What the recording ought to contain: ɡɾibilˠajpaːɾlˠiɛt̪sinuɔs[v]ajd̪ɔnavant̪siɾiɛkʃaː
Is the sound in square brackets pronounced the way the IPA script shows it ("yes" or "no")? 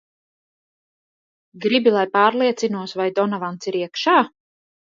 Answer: yes